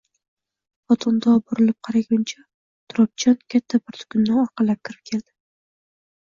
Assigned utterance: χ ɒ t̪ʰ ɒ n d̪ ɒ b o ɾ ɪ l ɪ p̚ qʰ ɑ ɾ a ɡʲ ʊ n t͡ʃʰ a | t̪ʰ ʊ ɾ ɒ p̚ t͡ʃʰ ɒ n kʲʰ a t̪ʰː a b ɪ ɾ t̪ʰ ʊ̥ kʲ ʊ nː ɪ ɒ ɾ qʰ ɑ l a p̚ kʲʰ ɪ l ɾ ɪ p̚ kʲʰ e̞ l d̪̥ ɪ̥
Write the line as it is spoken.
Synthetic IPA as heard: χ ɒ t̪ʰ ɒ n d̪ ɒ b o ɾ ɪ l ɪ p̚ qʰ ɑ ɾ a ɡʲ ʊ n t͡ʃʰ a | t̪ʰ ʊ ɾ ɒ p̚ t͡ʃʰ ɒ n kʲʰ a t̪ʰː a b ɪ ɾ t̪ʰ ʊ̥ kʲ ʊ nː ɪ ɒ ɾ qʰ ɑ l a p̚ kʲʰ ɪ ɾ ɪ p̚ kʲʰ e̞ l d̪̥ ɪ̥